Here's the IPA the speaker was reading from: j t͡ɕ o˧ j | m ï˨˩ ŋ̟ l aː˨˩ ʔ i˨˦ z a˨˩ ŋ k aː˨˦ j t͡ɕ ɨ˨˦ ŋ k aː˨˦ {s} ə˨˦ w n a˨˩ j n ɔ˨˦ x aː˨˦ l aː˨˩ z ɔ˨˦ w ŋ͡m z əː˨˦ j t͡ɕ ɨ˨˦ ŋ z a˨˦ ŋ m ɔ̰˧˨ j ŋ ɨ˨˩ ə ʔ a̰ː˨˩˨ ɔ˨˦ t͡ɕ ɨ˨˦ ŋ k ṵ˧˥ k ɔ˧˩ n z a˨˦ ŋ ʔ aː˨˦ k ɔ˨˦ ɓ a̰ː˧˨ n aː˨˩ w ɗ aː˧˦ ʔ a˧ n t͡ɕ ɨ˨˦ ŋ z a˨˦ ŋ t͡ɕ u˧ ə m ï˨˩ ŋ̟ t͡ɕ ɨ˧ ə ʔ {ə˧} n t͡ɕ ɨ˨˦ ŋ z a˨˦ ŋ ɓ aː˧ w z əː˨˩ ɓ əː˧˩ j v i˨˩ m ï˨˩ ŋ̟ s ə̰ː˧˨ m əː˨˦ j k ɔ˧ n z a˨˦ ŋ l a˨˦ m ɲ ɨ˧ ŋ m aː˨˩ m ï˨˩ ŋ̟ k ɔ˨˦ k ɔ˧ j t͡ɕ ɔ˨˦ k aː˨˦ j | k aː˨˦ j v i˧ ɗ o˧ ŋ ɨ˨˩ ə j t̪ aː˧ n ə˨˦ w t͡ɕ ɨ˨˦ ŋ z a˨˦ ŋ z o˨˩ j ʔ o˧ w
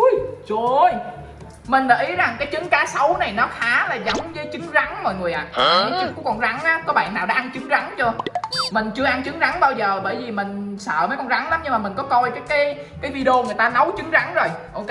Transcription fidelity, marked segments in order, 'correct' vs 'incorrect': correct, incorrect: a˧

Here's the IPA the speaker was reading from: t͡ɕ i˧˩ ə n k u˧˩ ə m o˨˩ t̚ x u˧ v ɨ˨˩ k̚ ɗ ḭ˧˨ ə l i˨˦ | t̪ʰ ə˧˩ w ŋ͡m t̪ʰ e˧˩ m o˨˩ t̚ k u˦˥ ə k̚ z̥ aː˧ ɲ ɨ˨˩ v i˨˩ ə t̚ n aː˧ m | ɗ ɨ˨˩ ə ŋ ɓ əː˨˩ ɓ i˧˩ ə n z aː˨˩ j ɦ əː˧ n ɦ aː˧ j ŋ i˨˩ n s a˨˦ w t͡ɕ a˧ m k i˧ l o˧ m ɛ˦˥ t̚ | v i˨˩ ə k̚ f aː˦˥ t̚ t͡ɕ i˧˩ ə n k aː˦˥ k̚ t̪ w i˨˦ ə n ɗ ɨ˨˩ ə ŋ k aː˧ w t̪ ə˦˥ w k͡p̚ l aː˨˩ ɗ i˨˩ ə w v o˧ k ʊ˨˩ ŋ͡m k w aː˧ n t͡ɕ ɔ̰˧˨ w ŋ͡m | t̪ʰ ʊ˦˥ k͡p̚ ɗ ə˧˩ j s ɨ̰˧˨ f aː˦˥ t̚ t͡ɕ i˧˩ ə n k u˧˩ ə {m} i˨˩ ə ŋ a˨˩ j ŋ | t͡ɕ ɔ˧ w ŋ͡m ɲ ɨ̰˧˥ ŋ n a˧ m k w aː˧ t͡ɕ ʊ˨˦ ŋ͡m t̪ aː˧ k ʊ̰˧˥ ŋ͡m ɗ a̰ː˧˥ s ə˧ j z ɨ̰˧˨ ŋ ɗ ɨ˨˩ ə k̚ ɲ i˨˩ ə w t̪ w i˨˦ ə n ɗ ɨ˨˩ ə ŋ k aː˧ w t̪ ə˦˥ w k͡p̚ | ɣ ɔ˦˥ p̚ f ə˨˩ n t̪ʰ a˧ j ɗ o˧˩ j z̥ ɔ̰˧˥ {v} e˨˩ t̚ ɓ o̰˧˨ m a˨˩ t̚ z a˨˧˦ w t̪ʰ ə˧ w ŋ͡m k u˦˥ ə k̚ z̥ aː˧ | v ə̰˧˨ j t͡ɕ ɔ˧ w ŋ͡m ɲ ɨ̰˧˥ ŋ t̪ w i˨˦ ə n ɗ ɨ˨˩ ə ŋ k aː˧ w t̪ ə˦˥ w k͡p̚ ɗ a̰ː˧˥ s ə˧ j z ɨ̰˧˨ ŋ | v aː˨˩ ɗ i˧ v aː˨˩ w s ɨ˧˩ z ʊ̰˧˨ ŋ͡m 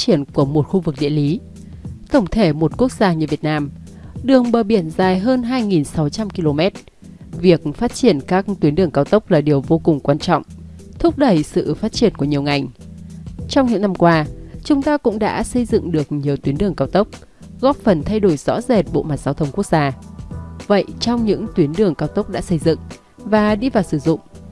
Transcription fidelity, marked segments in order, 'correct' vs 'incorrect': incorrect: ɲ, incorrect: z

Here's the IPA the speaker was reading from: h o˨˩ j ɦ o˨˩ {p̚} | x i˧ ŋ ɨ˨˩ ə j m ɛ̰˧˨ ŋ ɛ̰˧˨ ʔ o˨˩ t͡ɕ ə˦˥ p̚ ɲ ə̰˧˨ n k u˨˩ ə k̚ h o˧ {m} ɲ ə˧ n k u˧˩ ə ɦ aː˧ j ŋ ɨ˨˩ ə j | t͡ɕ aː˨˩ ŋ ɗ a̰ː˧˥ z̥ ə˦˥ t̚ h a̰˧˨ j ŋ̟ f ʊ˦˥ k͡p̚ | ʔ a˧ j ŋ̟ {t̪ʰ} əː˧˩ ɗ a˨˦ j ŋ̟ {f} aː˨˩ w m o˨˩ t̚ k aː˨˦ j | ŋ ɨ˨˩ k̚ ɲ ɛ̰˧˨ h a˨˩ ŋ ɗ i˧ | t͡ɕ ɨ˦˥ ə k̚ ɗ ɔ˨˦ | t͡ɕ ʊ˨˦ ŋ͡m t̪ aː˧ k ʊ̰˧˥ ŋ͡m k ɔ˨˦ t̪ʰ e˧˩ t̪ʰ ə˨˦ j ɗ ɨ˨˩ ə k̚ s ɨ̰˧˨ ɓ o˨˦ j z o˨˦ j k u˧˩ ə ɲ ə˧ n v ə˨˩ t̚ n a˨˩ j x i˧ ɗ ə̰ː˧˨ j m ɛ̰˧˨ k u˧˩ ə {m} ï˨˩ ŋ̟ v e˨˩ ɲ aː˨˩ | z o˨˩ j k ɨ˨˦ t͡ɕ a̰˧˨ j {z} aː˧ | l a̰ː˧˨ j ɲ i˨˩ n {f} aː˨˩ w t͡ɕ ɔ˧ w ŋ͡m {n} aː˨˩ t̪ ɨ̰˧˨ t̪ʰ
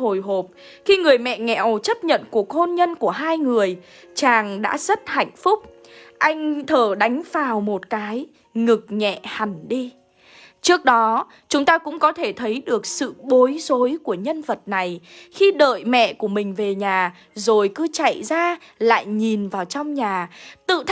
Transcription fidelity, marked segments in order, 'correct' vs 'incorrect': correct, incorrect: n, correct, correct, correct, correct, incorrect: v, incorrect: ɲ

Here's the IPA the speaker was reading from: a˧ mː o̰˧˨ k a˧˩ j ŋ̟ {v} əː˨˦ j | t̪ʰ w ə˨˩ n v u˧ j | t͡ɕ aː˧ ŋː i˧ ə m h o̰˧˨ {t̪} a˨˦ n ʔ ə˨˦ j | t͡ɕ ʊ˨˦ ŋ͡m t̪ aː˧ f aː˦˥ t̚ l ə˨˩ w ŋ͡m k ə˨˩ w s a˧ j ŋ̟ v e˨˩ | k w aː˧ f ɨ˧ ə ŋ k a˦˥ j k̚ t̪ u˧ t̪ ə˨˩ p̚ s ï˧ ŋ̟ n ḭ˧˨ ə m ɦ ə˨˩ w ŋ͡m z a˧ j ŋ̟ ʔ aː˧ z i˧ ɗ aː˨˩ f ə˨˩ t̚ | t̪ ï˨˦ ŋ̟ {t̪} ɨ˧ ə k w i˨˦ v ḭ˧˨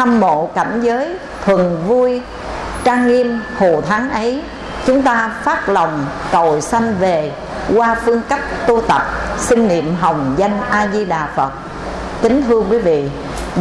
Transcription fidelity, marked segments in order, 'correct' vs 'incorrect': incorrect: z, incorrect: t̪ʰ, incorrect: t̪ʰ

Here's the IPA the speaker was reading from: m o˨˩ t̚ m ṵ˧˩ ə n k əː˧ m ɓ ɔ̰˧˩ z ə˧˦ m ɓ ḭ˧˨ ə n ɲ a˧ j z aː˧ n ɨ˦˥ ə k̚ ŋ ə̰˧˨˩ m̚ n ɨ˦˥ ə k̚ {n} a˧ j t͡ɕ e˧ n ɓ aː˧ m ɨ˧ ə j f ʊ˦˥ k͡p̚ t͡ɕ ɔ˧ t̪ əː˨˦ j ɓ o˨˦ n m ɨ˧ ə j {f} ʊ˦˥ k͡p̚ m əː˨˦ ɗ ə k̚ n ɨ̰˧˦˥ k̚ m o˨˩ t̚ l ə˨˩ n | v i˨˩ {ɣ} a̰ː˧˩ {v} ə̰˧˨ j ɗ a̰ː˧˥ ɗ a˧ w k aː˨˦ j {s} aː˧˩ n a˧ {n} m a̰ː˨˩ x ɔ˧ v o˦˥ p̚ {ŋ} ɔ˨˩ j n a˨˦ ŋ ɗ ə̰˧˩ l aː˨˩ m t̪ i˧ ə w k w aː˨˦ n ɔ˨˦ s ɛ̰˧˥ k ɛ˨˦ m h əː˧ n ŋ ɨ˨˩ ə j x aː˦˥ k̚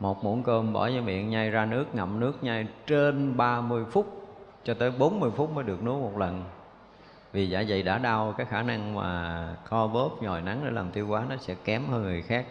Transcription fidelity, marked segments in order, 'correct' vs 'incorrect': incorrect: ɲ, correct, incorrect: z, incorrect: z, incorrect: x, incorrect: ŋ, incorrect: ɲ

